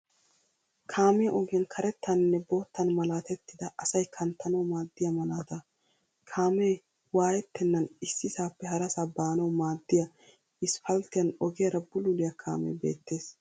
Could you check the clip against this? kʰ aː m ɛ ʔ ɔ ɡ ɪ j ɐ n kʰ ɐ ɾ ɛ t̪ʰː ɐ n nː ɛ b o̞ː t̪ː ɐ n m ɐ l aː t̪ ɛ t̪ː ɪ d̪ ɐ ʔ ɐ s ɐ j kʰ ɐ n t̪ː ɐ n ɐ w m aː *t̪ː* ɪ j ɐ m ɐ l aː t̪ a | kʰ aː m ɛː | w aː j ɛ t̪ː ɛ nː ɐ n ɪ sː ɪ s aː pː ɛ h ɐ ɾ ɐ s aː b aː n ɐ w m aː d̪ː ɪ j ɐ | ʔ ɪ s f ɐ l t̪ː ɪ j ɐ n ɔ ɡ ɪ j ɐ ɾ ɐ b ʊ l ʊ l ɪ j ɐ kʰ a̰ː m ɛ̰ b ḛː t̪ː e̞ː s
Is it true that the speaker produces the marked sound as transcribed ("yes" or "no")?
no